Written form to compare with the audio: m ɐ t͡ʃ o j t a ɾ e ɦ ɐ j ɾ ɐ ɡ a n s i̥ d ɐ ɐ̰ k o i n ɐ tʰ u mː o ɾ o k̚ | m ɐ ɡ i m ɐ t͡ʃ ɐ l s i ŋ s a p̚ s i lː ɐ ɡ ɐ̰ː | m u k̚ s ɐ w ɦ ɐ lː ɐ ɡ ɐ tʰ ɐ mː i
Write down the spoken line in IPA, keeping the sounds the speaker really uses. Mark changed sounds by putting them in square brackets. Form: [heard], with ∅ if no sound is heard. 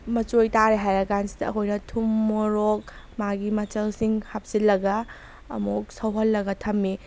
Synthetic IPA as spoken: m ɐ t͡ʃ o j t a ɾ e ɦ [a] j ɾ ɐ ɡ a n s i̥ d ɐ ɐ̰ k o [j] n ɐ tʰ u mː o ɾ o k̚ | m [a] ɡ i m ɐ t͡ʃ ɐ l s i ŋ [h] a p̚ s i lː ɐ ɡ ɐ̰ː | m u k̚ s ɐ w ɦ ɐ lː ɐ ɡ ɐ tʰ ɐ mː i